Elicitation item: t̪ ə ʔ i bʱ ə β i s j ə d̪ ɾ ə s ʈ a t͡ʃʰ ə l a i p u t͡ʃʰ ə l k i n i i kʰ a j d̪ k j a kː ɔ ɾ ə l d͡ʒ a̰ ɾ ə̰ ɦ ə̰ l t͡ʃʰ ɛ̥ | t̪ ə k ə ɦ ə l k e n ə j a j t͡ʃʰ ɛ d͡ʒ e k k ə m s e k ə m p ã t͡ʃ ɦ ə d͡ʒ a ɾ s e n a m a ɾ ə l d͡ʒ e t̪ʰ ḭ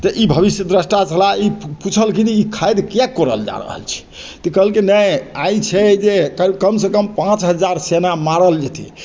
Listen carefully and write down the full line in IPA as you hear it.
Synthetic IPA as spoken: t̪ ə ʔ i bʱ ə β i s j ə d̪ ɾ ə s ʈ a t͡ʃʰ ə l a i p u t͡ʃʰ ə l k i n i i kʰ a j d̪ k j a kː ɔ ɾ ə l d͡ʒ a̰ ɾ ə̰ ɦ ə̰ l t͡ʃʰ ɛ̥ | t̪ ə k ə ɦ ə l k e n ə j a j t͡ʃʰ ɛ d͡ʒ e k k ə m s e k ə m p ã t͡ʃ ɦ ə d͡ʒ a ɾ s e n a m a ɾ ə l d͡ʒ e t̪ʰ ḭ